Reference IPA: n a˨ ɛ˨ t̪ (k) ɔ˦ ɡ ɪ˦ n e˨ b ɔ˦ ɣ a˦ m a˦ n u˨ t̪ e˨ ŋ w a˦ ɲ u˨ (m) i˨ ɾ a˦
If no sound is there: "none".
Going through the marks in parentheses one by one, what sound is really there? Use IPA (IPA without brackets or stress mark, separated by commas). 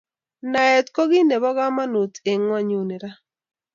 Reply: k, n